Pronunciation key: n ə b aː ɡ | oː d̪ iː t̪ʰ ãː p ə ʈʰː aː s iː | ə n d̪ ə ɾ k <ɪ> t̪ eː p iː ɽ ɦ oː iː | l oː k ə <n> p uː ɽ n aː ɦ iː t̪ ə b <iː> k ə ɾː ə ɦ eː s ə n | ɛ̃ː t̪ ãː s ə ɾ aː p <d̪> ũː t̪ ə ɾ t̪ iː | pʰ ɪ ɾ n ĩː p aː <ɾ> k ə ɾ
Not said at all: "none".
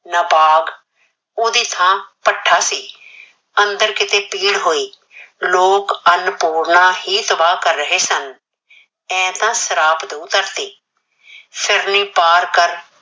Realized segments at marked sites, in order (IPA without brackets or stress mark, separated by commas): ɪ, n, aː, d̪, ɾ